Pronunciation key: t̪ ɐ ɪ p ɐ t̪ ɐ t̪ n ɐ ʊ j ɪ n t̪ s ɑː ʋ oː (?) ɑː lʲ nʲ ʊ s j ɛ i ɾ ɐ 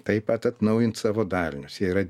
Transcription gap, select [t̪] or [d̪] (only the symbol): d̪